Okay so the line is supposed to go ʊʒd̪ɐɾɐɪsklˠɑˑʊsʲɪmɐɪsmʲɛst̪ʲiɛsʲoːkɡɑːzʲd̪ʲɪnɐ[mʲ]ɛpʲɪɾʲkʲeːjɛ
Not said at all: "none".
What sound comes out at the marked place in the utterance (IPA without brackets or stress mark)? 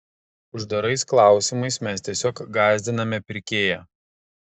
mʲ